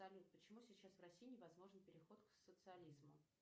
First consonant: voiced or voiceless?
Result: voiced